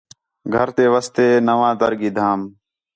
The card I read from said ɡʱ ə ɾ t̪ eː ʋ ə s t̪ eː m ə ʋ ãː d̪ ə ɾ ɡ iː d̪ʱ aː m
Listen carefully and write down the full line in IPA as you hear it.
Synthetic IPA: ɡʱ ə ɾ t̪ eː ʋ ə s t̪ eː n ə ʋ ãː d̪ ə ɾ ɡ iː d̪ʱ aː m